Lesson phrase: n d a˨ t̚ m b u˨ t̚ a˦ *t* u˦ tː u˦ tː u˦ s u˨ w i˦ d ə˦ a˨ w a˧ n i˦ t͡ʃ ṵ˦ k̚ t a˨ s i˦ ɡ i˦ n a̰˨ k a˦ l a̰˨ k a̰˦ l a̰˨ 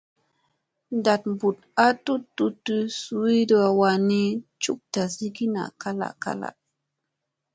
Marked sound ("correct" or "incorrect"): correct